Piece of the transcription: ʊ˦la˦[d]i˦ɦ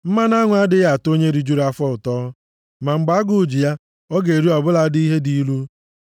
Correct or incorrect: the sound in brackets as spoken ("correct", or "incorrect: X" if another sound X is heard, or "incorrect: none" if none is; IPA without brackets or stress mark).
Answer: correct